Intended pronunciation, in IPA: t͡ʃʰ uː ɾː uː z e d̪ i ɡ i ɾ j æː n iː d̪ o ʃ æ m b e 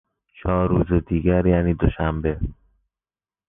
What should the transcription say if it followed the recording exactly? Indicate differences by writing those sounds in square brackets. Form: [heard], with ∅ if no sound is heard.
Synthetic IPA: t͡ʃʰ [ɒː] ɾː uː z e d̪ [iː] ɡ [æ] ɾ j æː n iː d̪ o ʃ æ m b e